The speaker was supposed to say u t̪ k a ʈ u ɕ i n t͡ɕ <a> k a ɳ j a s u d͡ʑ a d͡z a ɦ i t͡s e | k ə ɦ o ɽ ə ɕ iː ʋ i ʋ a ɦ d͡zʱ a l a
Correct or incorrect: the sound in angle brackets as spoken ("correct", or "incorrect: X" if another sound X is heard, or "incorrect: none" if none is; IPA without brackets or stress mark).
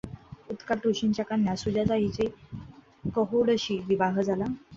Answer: correct